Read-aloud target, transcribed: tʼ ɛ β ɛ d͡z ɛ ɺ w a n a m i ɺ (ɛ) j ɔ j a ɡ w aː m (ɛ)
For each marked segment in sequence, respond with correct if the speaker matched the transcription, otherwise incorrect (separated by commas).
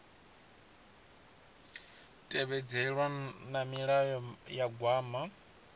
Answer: incorrect, incorrect